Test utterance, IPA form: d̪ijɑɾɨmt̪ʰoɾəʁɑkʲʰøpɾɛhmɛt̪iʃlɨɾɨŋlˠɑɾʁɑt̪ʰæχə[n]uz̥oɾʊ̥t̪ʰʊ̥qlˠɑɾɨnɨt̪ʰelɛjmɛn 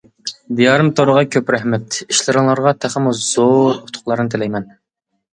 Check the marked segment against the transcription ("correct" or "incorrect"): incorrect